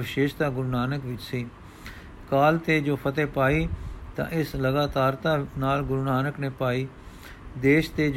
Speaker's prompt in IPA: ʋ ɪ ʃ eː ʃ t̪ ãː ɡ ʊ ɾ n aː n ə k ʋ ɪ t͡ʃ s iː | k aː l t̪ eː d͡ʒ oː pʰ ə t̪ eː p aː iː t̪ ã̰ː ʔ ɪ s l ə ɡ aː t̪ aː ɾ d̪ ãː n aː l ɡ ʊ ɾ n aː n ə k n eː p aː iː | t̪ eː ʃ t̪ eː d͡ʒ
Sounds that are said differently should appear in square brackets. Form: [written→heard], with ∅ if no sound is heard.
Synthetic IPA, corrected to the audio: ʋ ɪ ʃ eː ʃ t̪ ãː ɡ ʊ ɾ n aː n ə k ʋ ɪ t͡ʃ s iː | k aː l t̪ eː d͡ʒ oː pʰ ə t̪ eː p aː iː t̪ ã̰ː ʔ ɪ s l ə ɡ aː t̪ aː ɾ [d̪→t̪] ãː n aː l ɡ ʊ ɾ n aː n ə k n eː p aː iː | [t̪→d̪] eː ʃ t̪ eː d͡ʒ